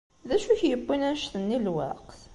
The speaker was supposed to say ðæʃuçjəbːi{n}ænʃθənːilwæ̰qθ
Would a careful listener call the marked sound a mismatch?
no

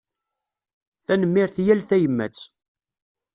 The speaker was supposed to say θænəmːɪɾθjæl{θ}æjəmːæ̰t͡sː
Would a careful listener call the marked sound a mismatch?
no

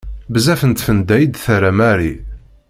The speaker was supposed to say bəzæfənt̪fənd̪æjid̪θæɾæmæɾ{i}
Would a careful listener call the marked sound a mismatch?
no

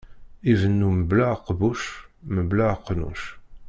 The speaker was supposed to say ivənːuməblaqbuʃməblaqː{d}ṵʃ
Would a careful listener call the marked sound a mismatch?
yes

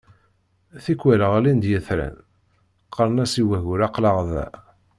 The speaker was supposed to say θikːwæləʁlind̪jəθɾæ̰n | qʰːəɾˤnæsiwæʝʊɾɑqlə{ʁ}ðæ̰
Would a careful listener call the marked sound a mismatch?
no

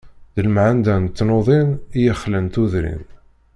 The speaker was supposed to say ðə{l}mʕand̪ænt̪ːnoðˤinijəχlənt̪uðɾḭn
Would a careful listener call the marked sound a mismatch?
no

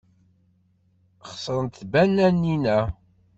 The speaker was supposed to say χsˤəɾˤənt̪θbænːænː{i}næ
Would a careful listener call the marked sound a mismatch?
no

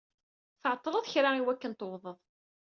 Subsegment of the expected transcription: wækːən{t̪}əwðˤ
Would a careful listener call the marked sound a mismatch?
no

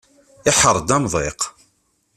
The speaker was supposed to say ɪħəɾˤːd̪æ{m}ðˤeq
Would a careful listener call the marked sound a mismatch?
no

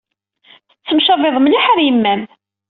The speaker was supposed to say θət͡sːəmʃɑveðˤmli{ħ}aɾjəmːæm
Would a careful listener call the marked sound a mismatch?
no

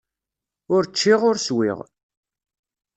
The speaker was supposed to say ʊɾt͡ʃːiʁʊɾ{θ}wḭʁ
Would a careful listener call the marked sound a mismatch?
yes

